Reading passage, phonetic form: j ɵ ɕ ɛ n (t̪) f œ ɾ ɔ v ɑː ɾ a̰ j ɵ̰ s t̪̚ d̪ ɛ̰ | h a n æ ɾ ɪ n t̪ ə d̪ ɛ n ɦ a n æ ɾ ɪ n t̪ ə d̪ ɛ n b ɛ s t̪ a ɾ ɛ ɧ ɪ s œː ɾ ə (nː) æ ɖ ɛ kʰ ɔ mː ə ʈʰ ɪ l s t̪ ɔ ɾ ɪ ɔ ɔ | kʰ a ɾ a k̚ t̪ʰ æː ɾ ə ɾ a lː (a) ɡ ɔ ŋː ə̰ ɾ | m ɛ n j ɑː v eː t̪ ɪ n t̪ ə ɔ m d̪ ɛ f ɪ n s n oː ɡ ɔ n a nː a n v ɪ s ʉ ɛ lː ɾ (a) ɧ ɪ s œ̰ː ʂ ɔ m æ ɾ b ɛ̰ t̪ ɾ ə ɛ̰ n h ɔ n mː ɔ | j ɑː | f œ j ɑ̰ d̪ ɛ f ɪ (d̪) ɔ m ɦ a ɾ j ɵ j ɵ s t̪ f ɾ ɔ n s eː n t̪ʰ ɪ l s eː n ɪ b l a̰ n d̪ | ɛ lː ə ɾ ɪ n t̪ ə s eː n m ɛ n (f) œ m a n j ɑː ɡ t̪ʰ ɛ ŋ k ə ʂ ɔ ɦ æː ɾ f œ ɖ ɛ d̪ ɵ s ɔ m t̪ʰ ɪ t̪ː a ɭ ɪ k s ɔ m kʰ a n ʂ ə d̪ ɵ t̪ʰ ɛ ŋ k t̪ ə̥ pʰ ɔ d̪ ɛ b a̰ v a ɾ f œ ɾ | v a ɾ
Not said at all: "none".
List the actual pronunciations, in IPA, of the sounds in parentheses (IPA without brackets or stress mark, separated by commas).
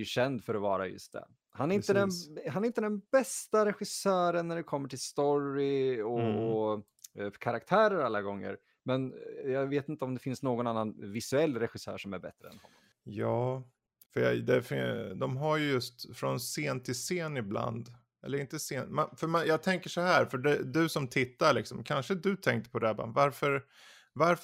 d̪, nː, a, ɛ, d̪, f